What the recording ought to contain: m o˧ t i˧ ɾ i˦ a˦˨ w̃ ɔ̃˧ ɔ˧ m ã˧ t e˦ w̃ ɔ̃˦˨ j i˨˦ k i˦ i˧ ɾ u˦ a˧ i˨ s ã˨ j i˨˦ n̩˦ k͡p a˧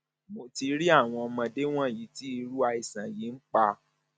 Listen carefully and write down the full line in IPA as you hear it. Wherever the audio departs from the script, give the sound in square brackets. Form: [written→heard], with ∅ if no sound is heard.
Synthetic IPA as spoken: m o˧ t i˧ ɾ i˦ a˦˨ w̃ ɔ̃˧ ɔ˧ m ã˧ [t→d] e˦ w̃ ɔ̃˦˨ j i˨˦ [k→t] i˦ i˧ ɾ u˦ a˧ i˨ s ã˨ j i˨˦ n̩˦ k͡p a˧